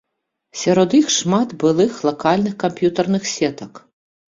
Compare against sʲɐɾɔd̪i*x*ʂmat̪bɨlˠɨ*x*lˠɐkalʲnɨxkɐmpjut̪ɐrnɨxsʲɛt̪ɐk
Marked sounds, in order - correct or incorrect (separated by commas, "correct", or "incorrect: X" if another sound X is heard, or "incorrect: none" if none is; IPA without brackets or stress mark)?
correct, correct